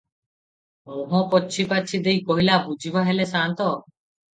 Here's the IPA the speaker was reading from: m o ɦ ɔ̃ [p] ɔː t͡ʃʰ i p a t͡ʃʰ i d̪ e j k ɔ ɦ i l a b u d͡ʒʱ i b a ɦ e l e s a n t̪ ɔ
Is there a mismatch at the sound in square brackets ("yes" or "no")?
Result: no